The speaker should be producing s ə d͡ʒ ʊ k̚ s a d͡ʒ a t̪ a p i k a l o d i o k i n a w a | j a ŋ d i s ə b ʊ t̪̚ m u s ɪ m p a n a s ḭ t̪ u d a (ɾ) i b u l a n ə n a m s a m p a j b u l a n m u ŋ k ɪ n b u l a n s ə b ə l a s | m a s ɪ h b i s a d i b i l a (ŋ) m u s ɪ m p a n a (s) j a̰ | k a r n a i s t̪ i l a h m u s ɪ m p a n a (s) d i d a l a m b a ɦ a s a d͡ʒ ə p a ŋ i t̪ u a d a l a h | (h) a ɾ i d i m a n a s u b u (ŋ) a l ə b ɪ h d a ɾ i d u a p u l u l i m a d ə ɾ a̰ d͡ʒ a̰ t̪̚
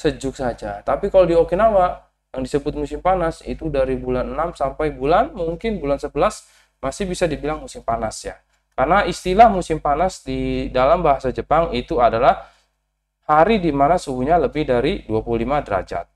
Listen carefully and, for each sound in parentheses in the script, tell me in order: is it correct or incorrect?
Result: correct, correct, correct, correct, correct, incorrect

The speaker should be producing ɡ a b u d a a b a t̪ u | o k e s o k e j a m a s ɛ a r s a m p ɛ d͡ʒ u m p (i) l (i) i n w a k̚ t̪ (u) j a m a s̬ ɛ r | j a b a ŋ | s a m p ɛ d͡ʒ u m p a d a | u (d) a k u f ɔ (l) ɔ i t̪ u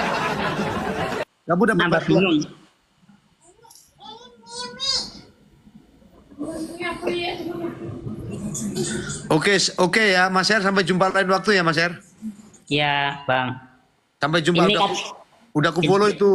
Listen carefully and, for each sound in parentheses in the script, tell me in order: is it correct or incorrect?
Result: incorrect, incorrect, correct, correct, correct

